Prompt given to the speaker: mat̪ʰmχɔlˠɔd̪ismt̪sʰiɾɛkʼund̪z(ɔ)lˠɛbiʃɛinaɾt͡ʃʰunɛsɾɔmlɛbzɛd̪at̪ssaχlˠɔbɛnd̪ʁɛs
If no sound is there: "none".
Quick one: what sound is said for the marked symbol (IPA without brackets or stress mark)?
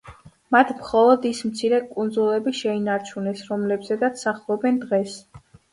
u